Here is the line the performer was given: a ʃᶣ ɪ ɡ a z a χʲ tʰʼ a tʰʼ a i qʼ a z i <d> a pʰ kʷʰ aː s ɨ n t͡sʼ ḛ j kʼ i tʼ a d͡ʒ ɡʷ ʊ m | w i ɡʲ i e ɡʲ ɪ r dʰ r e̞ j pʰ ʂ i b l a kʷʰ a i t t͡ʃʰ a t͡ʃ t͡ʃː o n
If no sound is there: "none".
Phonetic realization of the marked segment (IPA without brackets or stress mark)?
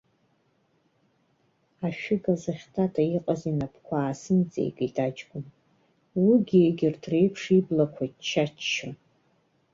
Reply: n